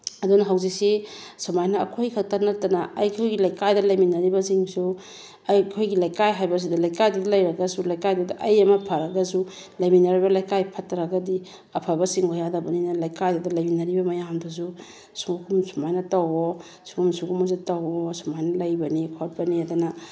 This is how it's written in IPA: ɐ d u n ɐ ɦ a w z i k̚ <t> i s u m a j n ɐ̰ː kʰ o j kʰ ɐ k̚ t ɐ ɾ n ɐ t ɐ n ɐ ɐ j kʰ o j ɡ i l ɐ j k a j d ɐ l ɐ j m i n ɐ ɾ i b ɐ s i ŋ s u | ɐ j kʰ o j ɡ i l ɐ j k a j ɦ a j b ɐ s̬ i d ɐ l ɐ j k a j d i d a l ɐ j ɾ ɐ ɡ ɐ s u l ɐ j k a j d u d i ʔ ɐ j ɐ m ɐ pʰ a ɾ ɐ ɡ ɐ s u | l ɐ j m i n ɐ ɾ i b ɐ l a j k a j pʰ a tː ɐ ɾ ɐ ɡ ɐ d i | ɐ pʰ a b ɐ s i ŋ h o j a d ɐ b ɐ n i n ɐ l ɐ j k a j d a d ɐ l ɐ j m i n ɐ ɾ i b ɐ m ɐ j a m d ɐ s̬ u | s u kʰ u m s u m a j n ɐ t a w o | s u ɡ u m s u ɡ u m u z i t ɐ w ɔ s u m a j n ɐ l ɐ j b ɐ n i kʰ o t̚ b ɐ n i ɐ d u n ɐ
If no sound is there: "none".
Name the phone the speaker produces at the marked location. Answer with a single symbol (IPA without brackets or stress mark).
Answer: s